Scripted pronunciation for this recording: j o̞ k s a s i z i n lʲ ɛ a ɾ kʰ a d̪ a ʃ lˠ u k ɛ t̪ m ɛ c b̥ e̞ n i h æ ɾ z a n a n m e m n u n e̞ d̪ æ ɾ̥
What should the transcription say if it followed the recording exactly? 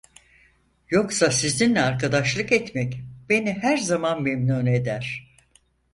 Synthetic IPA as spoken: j o̞ k s a s i z i n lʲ ɛ a ɾ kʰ a d̪ a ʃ lˠ ɯ k ɛ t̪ m ɛ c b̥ e̞ n i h æ ɾ z a m a n m e m n u n e̞ d̪ æ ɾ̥